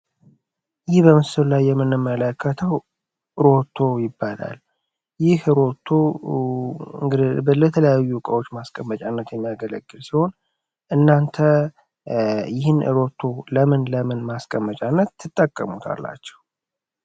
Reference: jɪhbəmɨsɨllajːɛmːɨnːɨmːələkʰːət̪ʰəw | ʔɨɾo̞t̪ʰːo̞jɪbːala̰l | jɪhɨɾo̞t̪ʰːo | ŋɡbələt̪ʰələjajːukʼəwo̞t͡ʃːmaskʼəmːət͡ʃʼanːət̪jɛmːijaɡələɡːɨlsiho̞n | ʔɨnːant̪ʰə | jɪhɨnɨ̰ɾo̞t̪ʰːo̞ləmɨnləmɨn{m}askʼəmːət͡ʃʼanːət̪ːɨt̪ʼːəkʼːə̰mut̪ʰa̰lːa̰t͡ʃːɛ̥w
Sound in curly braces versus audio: correct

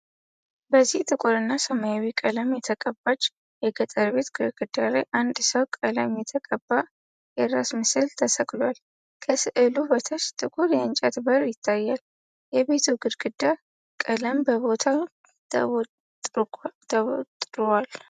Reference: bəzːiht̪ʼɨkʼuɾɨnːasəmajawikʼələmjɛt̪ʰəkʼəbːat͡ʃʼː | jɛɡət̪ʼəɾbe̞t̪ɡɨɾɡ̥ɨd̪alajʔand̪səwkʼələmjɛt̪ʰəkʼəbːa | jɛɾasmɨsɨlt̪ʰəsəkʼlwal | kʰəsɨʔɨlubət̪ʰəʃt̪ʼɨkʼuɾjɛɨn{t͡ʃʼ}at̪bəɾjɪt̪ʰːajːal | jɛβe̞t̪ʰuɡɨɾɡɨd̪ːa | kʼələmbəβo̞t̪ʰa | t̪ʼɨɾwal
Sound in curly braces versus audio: correct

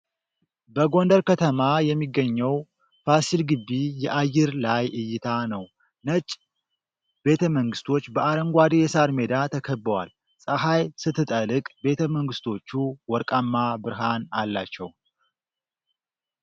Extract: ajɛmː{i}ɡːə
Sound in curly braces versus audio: correct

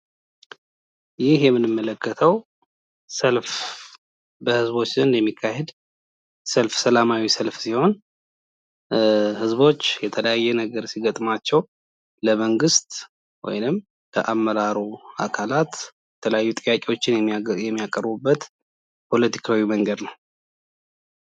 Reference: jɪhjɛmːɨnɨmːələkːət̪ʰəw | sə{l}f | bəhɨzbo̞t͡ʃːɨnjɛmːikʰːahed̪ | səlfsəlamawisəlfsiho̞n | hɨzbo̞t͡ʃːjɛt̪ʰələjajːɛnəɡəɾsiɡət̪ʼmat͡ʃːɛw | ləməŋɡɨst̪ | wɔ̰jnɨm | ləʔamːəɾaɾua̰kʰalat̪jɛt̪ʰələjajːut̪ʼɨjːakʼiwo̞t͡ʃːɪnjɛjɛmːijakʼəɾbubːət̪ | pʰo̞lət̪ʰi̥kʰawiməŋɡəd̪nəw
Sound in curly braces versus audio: correct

